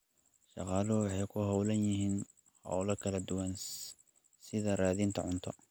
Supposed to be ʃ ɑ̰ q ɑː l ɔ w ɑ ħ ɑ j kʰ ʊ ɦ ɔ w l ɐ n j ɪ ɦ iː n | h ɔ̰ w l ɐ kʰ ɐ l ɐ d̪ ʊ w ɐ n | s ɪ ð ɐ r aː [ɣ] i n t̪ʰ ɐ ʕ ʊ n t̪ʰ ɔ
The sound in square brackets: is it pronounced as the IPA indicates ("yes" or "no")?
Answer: no